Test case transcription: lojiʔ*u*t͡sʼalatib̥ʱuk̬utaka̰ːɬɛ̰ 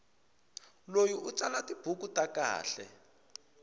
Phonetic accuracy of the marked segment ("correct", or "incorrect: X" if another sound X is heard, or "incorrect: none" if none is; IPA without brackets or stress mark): correct